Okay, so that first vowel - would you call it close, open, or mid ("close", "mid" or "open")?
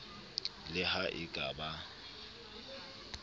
close